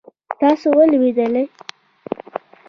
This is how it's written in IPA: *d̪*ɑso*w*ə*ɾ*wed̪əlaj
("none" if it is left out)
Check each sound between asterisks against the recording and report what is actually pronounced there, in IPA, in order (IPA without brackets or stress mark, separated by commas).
t̪, w, l